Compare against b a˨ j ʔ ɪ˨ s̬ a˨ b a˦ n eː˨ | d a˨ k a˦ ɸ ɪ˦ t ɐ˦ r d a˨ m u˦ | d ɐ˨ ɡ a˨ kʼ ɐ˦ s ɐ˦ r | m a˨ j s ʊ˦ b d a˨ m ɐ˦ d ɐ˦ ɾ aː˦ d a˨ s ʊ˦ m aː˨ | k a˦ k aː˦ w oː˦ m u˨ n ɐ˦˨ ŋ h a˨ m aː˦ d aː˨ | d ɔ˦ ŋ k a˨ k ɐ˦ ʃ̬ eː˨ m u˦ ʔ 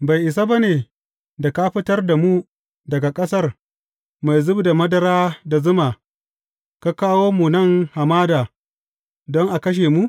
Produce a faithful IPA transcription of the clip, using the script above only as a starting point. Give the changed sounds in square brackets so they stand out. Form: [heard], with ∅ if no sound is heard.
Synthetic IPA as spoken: b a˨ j ʔ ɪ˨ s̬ [a˦] b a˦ n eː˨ | d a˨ k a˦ ɸ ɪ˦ t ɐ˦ r d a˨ m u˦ | d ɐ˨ ɡ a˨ kʼ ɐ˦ s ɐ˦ r | m a˨ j [z] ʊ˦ b d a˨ m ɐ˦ d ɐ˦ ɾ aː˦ d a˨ [z] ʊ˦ m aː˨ | k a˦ k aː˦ w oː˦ m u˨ n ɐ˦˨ ŋ h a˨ m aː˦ d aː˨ | d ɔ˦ ŋ [ʔ] a˨ k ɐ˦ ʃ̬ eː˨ m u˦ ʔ